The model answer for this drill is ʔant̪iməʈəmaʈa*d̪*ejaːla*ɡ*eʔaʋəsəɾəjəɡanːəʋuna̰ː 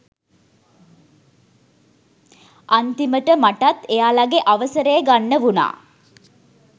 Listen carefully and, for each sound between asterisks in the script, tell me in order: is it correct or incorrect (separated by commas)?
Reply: incorrect, correct